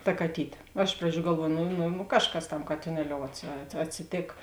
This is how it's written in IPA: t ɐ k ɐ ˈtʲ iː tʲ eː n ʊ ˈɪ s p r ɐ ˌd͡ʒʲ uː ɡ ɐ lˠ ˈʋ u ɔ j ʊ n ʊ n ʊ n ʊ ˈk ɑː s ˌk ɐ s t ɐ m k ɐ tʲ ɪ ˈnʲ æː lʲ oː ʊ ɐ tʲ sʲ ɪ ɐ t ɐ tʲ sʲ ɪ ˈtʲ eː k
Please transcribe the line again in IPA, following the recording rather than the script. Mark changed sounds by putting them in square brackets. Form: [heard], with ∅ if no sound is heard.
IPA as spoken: t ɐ k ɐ ˈtʲ iː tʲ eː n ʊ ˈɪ [ʃ] p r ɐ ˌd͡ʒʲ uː ɡ ɐ lˠ ˈʋ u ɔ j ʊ n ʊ n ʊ n ʊ ˈk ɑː [ʃ] ˌk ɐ s t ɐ m k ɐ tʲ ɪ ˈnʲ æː lʲ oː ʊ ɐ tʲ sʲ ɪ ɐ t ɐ tʲ sʲ ɪ ˈtʲ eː k